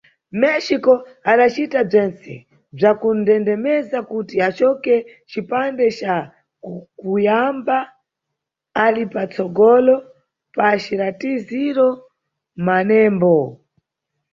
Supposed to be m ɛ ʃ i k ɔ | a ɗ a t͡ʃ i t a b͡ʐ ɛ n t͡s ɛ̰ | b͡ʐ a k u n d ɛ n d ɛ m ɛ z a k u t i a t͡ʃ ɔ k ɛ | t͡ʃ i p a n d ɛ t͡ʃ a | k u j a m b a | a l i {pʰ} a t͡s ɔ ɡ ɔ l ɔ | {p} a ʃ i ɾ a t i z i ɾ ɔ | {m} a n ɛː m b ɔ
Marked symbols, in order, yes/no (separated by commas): no, yes, yes